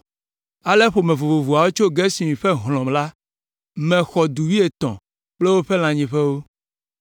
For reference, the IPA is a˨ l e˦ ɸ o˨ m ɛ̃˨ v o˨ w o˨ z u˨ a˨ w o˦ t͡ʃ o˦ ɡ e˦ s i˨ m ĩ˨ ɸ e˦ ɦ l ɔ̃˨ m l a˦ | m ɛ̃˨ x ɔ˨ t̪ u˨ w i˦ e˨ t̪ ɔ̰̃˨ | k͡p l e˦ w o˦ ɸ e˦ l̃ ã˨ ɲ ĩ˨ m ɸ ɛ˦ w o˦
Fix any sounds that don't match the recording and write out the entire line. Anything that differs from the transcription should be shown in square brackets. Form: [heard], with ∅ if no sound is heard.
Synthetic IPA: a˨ l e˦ ɸ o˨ m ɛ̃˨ v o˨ [v] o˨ [v] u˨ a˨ w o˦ t͡ʃ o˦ ɡ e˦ s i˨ m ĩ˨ ɸ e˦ ɦ l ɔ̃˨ m l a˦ | m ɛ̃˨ x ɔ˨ [d̪] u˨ w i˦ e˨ t̪ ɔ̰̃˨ | k͡p l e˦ w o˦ ɸ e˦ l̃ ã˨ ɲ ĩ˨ [∅] ɸ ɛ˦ w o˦